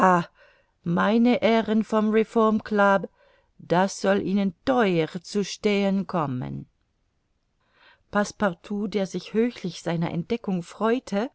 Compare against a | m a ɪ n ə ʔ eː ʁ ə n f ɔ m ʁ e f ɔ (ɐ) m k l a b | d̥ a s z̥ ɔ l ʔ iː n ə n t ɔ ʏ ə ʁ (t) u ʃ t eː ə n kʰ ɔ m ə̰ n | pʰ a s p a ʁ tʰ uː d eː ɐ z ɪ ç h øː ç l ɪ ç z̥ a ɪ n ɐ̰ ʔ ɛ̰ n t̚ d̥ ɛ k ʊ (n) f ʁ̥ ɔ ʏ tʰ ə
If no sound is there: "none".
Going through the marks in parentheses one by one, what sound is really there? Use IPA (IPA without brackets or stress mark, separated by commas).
ɐ, t͡s, ŋ